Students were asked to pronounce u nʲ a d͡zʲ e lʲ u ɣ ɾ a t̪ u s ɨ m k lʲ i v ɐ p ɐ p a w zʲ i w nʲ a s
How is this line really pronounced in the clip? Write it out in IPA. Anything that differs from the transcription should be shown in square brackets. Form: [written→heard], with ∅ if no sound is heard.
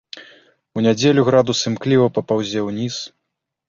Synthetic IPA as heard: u nʲ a d͡zʲ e lʲ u ɣ ɾ a [t̪→d̪] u s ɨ m k lʲ i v ɐ p ɐ p a w zʲ [i→ɛ] w nʲ [a→i] s